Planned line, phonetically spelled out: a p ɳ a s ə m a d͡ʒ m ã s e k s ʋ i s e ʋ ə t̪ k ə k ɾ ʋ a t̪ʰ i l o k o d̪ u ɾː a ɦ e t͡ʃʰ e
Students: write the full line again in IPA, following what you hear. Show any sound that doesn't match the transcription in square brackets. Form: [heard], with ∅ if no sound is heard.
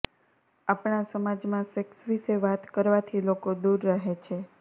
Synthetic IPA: a p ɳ a s ə m a d͡ʒ m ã s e k s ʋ i s e ʋ [a] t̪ k ə [∅] ɾ ʋ a t̪ʰ i l o k o d̪ u ɾː a ɦ e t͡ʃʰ e